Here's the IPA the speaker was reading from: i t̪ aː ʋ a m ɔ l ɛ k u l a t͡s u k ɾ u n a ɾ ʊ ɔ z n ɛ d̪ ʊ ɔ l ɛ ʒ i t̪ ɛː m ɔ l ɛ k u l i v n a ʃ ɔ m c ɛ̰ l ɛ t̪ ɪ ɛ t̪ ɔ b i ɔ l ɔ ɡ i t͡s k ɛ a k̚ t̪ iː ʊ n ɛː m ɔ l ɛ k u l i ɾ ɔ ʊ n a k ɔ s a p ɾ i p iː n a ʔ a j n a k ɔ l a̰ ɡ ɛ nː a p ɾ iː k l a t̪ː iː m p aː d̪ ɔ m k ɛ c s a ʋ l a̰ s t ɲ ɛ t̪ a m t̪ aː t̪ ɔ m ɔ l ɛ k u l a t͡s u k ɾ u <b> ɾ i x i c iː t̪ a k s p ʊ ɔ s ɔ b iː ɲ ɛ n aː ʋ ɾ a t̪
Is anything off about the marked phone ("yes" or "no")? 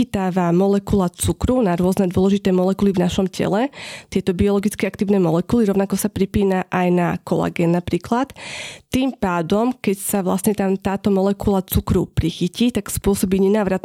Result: yes